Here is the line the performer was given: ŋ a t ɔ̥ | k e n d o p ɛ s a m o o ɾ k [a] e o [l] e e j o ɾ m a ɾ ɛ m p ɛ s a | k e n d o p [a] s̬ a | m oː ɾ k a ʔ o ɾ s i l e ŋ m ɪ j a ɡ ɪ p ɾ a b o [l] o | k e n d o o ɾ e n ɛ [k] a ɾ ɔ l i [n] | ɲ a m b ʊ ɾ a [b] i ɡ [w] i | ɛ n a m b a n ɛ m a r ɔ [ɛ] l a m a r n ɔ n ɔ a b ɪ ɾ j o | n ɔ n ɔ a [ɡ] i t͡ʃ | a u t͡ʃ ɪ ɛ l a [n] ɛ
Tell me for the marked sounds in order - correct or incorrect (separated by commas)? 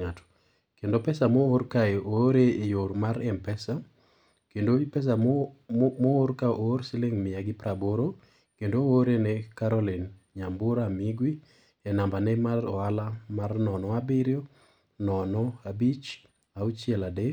correct, incorrect, incorrect, incorrect, correct, correct, incorrect, correct, incorrect, incorrect, incorrect